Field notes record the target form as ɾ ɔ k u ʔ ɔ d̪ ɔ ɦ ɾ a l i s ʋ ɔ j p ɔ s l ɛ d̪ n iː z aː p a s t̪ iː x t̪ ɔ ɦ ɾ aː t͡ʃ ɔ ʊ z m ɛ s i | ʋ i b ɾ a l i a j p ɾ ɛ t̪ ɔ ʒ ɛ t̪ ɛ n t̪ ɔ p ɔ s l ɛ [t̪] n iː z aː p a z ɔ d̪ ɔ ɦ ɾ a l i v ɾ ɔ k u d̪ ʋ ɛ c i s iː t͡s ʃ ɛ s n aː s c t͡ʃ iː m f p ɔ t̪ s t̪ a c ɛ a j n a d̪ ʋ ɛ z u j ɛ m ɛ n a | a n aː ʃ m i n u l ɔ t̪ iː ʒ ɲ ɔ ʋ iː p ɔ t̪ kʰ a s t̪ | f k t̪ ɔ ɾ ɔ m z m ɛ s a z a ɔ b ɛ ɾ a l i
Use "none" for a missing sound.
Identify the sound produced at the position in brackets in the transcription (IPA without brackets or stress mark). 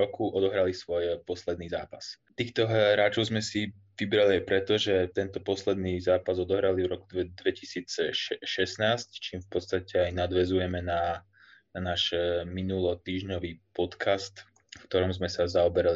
d̪